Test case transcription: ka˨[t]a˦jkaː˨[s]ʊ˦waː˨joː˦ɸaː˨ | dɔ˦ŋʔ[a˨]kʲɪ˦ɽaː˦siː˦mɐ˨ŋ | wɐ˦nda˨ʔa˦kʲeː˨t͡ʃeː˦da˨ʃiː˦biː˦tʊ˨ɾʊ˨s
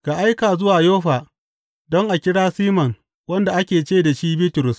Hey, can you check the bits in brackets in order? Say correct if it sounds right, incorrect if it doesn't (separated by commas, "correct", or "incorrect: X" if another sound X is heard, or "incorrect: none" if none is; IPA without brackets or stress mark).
incorrect: ʔ, incorrect: z, correct